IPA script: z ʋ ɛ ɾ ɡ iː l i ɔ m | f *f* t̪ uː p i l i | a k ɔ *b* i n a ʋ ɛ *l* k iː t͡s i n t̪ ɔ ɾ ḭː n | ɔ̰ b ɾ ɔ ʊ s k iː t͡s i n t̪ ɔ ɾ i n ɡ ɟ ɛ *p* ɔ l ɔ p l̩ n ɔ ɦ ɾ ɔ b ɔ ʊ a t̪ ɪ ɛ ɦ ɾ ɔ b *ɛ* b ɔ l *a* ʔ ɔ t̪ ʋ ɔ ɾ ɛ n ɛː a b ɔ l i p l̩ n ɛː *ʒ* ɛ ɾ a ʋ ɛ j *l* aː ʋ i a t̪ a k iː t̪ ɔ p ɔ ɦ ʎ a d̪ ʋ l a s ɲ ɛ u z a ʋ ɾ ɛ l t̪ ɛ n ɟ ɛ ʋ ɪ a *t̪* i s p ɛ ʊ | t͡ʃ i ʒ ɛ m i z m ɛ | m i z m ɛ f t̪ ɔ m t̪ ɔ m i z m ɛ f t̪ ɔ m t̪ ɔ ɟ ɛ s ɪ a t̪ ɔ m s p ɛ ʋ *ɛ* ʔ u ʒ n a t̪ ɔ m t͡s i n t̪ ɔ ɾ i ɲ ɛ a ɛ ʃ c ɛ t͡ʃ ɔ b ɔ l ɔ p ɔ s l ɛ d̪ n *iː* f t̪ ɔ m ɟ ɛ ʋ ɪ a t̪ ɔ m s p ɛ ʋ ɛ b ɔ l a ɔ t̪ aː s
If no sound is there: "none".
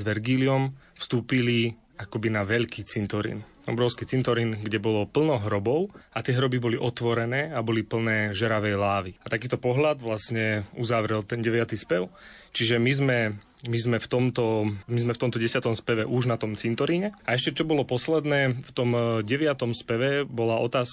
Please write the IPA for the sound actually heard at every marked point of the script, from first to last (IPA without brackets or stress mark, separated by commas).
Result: s, b, ʎ, b, i, i, ʒ, l, t̪, ɛ, ɛː